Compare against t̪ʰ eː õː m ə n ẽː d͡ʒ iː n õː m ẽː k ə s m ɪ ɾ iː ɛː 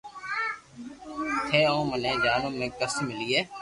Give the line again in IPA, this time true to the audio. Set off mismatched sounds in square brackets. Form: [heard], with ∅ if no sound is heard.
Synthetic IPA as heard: t̪ʰ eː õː m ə n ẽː d͡ʒ [aː] n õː m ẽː k ə s m ɪ [l] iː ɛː

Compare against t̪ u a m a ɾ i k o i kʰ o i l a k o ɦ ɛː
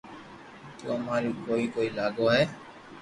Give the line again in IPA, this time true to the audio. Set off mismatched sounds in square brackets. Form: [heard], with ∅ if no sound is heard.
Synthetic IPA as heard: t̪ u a m a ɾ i k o i [k] o i l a [ɡ] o ɦ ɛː

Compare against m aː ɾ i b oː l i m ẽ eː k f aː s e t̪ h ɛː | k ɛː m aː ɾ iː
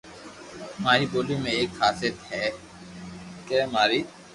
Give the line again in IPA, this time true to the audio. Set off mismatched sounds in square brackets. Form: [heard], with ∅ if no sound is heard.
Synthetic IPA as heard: m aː ɾ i b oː l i m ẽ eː k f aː s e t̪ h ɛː | k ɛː m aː ɾ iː

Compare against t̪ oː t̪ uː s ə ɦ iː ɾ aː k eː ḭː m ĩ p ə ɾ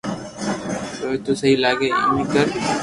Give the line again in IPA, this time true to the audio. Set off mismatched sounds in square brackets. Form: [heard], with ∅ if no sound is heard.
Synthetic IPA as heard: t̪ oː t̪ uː s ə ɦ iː [l] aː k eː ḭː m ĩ [k] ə ɾ

